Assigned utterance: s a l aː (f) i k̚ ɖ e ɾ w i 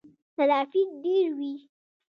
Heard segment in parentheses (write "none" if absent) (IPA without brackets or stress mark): f